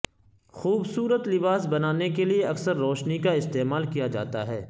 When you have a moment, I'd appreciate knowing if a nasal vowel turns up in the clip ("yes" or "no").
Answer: no